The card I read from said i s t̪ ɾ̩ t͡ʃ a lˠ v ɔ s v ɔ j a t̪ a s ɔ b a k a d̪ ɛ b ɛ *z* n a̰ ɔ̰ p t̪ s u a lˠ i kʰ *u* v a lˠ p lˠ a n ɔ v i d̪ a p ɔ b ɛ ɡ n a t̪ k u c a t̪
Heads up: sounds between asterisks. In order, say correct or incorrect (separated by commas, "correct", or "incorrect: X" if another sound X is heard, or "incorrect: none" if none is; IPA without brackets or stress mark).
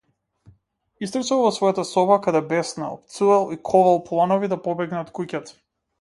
incorrect: s, incorrect: ɔ